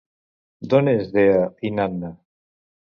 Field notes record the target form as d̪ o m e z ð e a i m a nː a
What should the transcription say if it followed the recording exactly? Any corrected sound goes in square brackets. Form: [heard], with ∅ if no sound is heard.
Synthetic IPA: d̪ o [n] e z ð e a i [n] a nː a